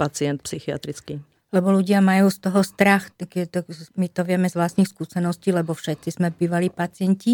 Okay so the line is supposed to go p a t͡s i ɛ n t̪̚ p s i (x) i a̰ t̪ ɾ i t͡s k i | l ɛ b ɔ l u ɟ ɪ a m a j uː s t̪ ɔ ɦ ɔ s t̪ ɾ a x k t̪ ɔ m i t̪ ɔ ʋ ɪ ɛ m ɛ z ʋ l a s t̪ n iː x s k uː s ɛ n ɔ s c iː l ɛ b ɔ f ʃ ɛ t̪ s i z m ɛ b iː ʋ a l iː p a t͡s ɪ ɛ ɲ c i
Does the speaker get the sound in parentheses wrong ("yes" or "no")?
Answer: no